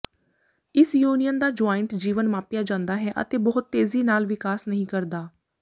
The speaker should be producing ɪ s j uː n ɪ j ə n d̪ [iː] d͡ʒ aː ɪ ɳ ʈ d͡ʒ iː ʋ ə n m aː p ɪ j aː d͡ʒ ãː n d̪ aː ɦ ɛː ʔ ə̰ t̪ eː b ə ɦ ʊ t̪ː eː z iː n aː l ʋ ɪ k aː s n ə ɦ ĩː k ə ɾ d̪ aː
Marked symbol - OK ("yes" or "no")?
no